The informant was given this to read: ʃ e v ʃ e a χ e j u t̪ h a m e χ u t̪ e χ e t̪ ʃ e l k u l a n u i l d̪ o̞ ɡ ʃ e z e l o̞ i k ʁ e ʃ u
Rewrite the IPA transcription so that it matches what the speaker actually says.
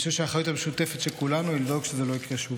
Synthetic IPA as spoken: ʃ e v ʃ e a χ a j u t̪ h a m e ʃ u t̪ e f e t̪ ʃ e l k u l a n u i l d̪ o̞ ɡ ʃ e z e l o̞ i k ʁ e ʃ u